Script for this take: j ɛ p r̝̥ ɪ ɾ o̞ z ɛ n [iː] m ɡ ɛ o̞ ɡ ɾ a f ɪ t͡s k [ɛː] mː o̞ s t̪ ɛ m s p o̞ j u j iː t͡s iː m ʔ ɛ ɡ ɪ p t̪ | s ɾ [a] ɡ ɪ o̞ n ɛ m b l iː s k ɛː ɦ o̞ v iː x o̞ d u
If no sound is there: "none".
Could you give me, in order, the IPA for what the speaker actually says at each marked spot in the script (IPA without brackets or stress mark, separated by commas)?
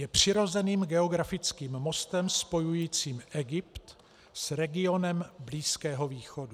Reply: iː, iː, ɛ